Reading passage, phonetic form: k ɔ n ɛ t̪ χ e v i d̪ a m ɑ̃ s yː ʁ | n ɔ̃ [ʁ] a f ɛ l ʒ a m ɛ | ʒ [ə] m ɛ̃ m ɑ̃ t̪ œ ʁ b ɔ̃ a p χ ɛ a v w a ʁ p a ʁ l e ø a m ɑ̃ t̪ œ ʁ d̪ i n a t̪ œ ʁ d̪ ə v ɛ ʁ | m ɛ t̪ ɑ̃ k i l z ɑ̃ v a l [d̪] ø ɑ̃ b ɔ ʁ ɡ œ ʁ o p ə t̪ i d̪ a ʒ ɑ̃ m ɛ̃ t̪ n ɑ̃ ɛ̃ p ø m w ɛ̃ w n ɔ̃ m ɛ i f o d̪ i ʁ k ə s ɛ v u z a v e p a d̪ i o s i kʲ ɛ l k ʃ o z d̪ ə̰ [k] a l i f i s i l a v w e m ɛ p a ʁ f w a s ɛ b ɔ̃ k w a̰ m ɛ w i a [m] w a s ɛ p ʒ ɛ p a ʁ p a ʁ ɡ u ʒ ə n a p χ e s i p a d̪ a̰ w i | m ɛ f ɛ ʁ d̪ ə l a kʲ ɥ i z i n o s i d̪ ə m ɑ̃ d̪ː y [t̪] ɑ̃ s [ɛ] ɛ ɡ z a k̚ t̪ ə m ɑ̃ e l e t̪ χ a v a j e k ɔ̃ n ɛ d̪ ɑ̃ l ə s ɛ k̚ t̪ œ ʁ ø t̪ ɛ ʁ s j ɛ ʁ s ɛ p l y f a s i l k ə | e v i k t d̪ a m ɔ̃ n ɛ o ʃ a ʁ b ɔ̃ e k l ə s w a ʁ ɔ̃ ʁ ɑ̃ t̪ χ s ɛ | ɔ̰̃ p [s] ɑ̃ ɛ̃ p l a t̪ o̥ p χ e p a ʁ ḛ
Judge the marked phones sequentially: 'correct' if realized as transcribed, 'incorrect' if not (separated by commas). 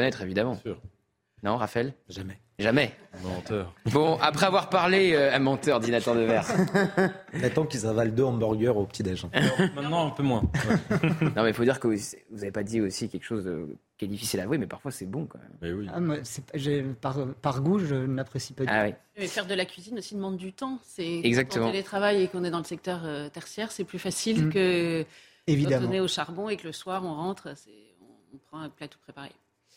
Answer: correct, incorrect, correct, correct, correct, correct, correct, incorrect